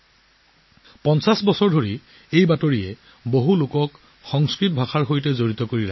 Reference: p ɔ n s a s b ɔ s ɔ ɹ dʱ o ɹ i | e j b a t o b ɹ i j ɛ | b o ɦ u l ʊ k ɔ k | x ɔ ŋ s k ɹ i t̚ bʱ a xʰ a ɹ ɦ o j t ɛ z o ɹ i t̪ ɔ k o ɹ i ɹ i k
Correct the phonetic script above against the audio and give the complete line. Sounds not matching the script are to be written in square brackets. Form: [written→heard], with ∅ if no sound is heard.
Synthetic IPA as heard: p ɔ n s a s b ɔ s ɔ ɹ dʱ o ɹ i | e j b a t o [b→∅] ɹ i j ɛ | b o ɦ u l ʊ k ɔ k | x ɔ ŋ s k ɹ i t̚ bʱ a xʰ a ɹ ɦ o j t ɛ z o ɹ i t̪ ɔ k o ɹ i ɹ [i→a] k